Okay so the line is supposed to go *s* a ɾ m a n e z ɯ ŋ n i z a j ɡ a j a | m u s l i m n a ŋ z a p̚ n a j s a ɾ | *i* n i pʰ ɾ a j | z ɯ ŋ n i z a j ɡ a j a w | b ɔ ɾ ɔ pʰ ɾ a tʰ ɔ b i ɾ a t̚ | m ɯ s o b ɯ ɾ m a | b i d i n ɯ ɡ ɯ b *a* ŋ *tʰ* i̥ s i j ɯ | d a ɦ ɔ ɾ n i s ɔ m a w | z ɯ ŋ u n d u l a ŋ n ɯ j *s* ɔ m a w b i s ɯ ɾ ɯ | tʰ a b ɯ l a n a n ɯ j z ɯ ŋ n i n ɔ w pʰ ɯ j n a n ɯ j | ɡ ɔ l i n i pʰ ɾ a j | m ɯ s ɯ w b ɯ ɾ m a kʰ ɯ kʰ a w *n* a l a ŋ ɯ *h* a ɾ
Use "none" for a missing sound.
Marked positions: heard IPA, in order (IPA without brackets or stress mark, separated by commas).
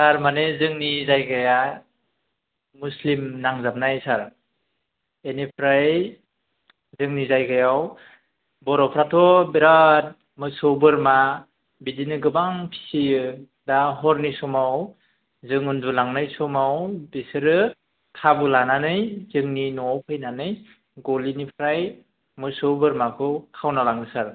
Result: s, e, a, pʰ, s, n, s